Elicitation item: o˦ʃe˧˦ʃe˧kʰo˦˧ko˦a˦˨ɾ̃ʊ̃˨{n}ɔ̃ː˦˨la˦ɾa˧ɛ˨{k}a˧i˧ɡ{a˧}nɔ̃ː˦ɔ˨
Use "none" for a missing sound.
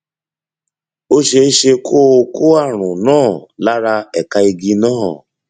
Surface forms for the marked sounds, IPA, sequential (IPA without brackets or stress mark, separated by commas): n, k, i˧